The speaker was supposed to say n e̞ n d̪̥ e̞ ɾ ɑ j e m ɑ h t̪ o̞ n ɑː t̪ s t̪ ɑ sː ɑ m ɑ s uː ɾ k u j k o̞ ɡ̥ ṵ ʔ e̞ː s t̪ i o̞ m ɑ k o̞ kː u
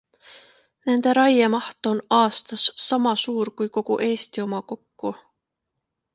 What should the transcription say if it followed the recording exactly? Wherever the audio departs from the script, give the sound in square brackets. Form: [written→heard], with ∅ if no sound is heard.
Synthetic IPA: n e̞ n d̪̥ e̞ ɾ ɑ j e m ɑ h t̪ o̞ n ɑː [t̪→∅] s t̪ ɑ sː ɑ m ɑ s uː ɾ k u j k o̞ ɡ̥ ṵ ʔ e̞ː s t̪ i o̞ m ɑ k o̞ kː u